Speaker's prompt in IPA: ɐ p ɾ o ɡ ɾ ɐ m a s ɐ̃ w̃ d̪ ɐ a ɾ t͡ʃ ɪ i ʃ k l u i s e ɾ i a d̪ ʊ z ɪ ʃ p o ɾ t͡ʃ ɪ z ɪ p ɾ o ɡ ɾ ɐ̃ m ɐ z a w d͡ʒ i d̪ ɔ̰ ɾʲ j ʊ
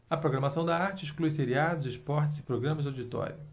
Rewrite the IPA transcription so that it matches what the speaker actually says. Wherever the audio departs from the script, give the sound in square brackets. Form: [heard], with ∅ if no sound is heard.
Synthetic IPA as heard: ɐ p ɾ o ɡ ɾ ɐ m a s ɐ̃ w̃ d̪ ɐ a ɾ t͡ʃ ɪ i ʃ k l u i s e ɾ i a d̪ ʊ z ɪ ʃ p [ɔ] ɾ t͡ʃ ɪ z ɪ p ɾ o ɡ ɾ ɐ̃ m ɐ z a w d͡ʒ i [t̪] ɔ̰ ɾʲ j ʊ

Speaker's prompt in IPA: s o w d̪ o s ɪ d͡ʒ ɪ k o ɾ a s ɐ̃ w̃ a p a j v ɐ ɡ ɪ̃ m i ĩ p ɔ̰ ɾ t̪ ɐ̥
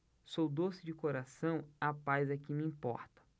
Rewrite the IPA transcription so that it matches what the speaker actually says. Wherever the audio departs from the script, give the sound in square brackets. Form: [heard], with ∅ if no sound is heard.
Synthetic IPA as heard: s o w d̪ o s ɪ d͡ʒ ɪ k o ɾ a s ɐ̃ w̃ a p a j [z] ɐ [k] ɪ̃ m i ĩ p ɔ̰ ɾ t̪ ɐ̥

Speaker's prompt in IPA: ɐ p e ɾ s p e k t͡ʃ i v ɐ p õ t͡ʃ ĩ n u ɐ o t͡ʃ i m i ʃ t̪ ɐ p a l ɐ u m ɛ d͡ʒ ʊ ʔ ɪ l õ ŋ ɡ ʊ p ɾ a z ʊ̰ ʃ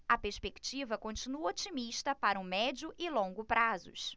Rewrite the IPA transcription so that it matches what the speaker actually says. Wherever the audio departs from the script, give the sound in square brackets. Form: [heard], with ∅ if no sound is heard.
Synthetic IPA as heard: ɐ p e ɾ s p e k t͡ʃ i v ɐ [k] õ t͡ʃ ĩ n u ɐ o t͡ʃ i m i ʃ t̪ ɐ p a [ɾ] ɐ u m ɛ d͡ʒ ʊ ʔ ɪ l õ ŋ ɡ ʊ p ɾ a z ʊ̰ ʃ

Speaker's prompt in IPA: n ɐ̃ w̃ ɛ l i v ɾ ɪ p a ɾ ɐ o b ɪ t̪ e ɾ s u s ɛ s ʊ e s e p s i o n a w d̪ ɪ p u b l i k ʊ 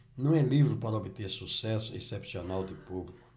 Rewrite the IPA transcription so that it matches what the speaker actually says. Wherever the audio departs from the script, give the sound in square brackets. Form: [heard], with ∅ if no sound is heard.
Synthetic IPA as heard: n ɐ̃ w̃ ɛ l i v ɾ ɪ p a ɾ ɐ o b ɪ t̪ e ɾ s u s ɛ s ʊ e s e p s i o n a w d̪ ɪ p u b l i k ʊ

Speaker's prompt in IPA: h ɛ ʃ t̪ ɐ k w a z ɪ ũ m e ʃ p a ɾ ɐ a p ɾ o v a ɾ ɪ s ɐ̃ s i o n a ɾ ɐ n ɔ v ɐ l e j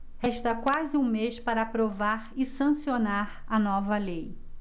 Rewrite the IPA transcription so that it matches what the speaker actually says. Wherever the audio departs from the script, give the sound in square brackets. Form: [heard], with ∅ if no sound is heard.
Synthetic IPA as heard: h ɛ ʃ t̪ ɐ k w a z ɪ ũ m e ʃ p a ɾ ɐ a p ɾ o v a ɾ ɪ s ɐ̃ s i o n a ɾ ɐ n ɔ v ɐ l e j

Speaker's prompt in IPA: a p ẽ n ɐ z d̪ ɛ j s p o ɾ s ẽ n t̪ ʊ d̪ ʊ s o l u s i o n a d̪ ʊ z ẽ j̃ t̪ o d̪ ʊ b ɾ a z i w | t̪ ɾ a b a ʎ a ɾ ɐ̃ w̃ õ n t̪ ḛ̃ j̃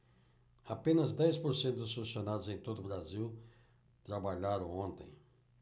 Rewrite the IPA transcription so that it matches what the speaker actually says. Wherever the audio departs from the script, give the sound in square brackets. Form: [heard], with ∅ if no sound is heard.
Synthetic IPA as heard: a p ẽ n ɐ z d̪ ɛ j s p o ɾ s ẽ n t̪ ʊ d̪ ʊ s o l u s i o n a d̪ ʊ z ẽ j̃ t̪ o d̪ ʊ b ɾ a z i w | t̪ ɾ a b a ʎ a ɾ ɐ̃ w̃ õ n t̪ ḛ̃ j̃

